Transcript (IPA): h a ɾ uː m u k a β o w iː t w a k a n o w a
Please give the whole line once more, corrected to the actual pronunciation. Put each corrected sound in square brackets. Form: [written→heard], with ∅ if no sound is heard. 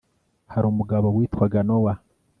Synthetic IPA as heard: h a ɾ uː m u [k→ɡ] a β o w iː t w a [k→ɡ] a n o w a